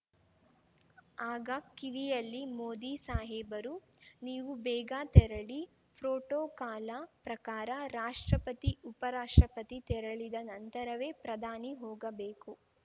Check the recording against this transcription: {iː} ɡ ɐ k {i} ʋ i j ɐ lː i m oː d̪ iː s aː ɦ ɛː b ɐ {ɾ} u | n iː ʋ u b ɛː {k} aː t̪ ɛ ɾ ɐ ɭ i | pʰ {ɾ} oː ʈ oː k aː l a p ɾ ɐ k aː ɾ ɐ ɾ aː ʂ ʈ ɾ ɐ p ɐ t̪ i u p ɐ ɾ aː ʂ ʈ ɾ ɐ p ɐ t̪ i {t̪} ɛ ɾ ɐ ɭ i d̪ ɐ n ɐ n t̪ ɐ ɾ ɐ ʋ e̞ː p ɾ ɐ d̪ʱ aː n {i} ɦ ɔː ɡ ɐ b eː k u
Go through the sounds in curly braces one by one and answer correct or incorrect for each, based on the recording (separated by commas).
incorrect, correct, correct, incorrect, correct, correct, correct